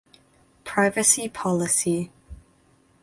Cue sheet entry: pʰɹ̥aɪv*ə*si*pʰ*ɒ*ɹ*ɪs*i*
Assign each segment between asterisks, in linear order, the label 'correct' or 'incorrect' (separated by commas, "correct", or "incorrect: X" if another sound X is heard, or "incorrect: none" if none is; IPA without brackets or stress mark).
correct, correct, incorrect: l, correct